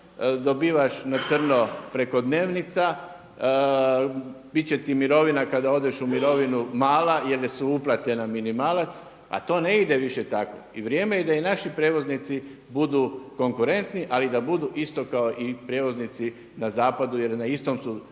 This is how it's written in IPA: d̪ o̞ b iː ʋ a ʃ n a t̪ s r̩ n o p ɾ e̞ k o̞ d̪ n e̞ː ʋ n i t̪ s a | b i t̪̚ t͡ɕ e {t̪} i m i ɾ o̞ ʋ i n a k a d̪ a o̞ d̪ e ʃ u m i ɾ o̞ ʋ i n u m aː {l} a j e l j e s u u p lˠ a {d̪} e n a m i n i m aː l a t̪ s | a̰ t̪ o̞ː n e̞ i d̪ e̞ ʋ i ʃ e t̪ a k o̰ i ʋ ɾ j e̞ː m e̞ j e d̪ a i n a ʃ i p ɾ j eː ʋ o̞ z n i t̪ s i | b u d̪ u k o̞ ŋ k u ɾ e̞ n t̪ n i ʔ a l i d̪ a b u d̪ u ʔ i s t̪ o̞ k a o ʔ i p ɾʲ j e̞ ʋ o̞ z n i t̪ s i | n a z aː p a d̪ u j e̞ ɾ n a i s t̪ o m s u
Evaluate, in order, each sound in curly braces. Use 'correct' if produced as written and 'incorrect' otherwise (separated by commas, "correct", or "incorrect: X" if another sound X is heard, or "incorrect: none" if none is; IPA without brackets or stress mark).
correct, correct, incorrect: t̪